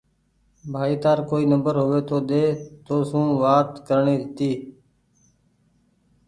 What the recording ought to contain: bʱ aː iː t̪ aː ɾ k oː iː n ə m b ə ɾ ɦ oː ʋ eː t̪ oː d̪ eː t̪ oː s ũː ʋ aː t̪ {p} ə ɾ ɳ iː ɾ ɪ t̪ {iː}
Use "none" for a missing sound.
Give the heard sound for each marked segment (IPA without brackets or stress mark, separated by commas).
k, iː